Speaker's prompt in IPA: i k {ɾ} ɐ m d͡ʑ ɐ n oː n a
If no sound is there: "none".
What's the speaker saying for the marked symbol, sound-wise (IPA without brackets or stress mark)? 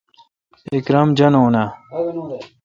ɾ